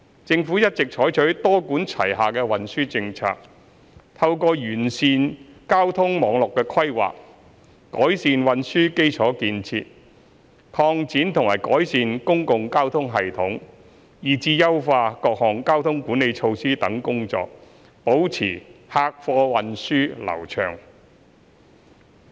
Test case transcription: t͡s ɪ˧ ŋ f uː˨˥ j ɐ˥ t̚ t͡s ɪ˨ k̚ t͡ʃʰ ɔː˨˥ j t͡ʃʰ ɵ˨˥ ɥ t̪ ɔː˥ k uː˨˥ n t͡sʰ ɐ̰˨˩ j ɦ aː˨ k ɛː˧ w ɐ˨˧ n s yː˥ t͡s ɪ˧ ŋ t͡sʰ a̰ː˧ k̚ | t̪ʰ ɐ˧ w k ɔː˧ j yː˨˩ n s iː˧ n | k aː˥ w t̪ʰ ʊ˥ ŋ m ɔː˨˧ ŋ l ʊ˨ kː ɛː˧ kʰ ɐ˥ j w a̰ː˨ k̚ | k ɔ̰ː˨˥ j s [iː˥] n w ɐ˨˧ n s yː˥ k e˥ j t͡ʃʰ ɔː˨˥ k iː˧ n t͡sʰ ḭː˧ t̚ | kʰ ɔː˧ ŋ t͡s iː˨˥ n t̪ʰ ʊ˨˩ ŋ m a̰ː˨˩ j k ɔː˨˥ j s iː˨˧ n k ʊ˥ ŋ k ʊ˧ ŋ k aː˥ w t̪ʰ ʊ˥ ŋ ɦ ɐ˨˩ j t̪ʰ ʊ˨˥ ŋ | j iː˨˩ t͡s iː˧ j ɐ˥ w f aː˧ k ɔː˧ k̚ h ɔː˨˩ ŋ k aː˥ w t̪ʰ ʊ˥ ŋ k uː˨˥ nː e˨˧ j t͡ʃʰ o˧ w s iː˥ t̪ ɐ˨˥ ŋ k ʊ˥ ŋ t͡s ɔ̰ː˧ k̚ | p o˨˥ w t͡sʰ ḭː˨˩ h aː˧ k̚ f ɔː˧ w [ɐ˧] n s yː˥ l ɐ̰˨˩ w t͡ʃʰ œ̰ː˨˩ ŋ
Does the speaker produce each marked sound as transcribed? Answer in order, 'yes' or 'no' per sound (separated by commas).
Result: no, yes